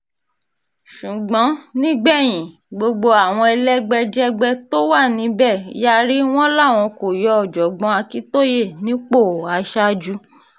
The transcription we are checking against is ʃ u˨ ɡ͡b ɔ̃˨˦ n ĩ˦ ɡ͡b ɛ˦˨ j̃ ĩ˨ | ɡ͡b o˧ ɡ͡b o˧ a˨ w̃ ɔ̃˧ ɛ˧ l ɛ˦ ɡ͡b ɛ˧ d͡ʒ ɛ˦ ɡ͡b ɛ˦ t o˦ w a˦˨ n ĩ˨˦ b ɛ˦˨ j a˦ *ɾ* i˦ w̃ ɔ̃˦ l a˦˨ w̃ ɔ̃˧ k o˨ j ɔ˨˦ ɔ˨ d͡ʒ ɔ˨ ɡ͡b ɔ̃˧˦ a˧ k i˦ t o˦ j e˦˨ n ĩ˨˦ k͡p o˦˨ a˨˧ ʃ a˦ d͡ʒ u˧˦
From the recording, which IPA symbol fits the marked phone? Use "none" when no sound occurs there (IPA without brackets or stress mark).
ɾ